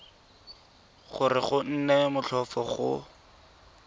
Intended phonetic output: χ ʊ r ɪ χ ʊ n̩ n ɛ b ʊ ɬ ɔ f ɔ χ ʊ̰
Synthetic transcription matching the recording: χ ʊ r ɪ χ ʊ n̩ n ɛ m ʊ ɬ ɔ f ɔ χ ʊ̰

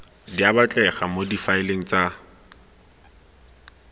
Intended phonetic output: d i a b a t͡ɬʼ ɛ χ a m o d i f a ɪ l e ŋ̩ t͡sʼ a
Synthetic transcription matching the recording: d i a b a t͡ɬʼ ɛ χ a m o d i f a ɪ l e ŋ̩ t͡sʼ a

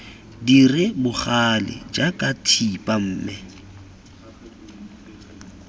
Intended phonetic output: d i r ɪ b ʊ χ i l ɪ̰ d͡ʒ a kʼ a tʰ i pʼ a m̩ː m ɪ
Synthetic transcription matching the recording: d i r ɪ b ʊ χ a l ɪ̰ d͡ʒ a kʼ a tʰ i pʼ a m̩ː m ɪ

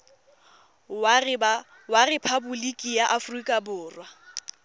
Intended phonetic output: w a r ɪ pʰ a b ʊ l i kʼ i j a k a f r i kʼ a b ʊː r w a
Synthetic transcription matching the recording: w a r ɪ pʰ a b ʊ l i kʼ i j a ʔ a f r i kʼ a b ʊː r w a

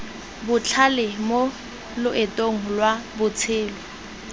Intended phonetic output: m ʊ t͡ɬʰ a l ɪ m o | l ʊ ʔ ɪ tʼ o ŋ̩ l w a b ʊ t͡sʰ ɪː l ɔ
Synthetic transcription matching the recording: b ʊ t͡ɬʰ a l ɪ m o | l ʊ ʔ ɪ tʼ o ŋ̩ l w a b ʊ t͡sʰ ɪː l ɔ

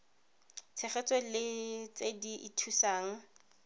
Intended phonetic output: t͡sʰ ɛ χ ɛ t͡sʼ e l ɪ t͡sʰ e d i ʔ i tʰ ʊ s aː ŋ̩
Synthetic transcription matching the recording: t͡sʰ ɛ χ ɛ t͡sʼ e l ɪ t͡s e d i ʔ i tʰ u s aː ŋ̩

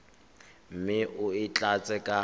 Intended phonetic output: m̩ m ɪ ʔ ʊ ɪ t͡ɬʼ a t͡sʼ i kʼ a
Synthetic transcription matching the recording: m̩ m ɪ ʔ ʊ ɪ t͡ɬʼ a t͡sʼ ɛ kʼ a

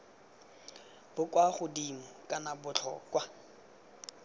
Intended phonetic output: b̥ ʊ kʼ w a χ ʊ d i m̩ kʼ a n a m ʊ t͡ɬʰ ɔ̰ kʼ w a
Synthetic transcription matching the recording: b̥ ʊ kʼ w a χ ʊ d i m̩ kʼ a n a b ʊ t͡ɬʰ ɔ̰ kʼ w a

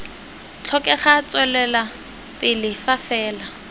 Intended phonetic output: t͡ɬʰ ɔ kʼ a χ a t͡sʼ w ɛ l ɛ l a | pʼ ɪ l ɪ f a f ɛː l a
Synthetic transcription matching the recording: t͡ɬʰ ɔ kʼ ɛ χ a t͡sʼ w ɛ l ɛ l a | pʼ ɪ l ɪ f a f ɛː l a

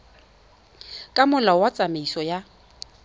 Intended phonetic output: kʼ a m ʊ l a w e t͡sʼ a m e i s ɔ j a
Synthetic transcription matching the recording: kʼ a m ʊ l a w a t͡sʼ a m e i s ɔ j a

